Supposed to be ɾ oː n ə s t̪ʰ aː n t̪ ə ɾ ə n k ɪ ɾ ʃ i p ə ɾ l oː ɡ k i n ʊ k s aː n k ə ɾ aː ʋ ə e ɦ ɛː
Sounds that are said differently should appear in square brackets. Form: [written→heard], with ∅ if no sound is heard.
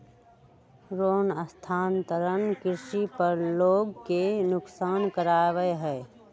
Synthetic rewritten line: ɾ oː n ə s t̪ʰ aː n t̪ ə ɾ ə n k ɪ ɾ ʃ i p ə ɾ l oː ɡ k [i→e] n ʊ k s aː n k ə ɾ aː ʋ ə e ɦ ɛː